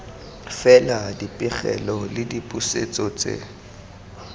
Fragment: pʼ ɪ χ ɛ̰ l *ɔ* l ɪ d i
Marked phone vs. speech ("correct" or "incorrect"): correct